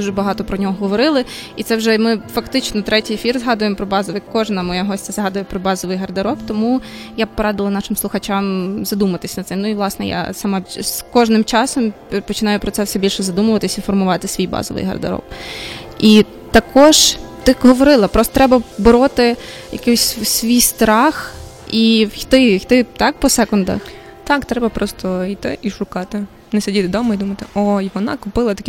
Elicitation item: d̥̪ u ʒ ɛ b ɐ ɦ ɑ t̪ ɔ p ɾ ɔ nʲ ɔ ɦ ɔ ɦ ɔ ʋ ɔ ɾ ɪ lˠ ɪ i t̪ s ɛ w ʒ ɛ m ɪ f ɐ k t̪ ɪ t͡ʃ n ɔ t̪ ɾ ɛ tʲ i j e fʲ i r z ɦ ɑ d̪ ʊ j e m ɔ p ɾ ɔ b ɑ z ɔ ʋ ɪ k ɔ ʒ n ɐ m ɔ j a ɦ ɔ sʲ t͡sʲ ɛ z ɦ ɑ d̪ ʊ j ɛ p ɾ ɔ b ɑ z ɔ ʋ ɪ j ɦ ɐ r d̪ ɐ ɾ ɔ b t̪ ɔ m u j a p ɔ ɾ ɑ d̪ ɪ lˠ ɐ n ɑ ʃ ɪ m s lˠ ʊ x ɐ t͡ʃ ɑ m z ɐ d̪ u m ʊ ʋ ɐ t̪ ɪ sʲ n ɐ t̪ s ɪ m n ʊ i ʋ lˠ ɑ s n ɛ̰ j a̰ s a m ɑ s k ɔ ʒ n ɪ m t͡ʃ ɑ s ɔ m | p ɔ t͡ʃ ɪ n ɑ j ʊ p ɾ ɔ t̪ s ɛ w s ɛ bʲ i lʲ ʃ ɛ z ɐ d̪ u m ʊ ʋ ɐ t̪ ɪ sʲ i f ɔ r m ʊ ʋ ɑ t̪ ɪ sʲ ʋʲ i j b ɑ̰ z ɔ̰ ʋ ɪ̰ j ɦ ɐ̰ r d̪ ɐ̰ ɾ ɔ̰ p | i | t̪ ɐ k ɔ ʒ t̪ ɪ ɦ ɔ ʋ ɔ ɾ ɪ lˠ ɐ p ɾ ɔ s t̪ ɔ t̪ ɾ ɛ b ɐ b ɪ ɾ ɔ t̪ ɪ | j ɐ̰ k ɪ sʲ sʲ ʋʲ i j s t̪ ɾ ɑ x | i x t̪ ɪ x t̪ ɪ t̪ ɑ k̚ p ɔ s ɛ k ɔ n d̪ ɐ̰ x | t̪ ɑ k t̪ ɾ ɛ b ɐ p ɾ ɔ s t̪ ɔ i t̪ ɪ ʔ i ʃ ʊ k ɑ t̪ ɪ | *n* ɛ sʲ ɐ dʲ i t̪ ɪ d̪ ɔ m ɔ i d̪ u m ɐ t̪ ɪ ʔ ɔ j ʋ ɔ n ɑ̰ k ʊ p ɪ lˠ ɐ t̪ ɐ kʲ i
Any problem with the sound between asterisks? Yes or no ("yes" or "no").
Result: no